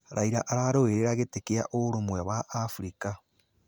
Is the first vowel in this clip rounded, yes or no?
no